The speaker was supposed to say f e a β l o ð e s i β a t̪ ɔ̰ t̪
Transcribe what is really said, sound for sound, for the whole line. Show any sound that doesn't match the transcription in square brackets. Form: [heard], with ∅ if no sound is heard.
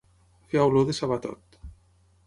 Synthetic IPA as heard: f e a [w] l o ð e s [a] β a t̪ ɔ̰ t̪

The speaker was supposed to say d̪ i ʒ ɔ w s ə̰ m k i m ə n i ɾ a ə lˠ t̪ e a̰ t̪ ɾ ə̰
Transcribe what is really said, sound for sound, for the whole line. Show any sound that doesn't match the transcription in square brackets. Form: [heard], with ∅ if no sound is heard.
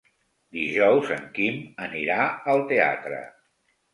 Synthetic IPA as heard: d̪ i ʒ ɔ w [z] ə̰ [ŋ] k i m ə n i ɾ a ə lˠ t̪ e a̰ t̪ ɾ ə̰

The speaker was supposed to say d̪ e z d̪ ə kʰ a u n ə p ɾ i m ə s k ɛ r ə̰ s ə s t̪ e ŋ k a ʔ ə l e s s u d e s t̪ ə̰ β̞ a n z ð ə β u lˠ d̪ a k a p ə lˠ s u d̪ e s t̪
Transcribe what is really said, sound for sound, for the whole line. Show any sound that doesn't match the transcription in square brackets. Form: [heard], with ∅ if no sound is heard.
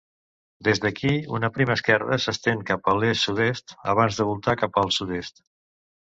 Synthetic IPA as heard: d̪ e z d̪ ə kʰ [i] u n ə p ɾ i m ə s k ɛ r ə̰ s ə s t̪ e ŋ k a [p] ə l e s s u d e s t̪ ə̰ β̞ a n z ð ə β u lˠ [t̪] a k a p ə lˠ s u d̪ e s t̪

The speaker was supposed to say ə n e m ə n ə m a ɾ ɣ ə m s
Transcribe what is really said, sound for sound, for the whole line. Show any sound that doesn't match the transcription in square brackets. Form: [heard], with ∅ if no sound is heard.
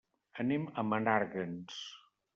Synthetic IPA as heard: ə n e m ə [m] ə [n] a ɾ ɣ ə [n] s

